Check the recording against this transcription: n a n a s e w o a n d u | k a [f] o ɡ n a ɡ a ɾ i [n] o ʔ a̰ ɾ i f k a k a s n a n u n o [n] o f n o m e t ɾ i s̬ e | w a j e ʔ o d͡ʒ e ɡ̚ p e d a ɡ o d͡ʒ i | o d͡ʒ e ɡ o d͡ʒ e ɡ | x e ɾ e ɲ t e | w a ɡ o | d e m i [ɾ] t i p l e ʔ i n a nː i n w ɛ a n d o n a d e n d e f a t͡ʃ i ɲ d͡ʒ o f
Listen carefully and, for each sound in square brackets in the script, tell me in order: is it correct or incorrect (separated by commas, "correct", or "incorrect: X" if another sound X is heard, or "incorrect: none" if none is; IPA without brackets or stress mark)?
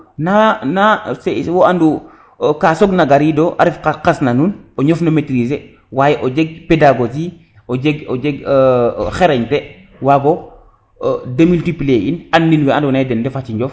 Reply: incorrect: s, incorrect: d, incorrect: ɲ, incorrect: l